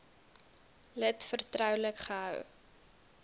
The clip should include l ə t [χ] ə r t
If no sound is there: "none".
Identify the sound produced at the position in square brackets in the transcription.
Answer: f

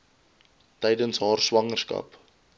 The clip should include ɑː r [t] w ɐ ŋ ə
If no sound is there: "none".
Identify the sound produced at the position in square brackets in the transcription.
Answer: s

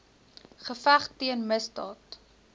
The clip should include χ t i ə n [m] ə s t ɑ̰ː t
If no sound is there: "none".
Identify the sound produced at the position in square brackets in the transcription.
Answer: m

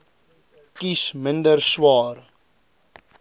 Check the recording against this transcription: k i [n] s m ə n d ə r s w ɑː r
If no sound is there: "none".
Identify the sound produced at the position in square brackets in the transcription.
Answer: none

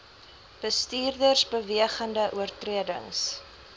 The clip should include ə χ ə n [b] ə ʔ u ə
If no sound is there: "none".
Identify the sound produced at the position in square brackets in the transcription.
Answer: d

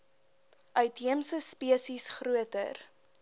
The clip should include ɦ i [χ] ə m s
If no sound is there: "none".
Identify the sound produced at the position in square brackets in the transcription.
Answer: none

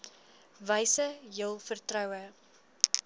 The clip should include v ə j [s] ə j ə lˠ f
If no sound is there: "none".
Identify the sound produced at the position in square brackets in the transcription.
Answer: s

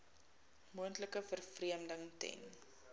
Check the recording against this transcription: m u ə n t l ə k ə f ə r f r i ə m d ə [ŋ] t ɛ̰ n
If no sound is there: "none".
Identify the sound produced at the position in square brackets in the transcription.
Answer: ŋ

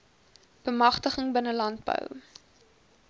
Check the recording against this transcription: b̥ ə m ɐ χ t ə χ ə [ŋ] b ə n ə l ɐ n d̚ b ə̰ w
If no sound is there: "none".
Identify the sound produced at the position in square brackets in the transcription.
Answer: ŋ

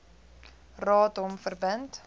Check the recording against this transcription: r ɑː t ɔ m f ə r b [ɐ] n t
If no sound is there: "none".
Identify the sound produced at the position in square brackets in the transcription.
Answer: ə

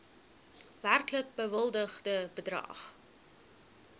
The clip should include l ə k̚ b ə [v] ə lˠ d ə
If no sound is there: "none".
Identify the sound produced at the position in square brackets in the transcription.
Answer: v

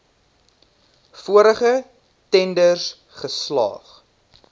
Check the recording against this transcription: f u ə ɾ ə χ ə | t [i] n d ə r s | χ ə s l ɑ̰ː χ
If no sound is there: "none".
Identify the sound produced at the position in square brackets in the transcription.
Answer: ɛ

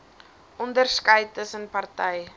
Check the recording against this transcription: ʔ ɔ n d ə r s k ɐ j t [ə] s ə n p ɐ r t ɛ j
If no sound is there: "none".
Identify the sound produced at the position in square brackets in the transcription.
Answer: ə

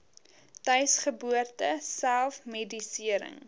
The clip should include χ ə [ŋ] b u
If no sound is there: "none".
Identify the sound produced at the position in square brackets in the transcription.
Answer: none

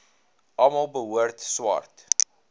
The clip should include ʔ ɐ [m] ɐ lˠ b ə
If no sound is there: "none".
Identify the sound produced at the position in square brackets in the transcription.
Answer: m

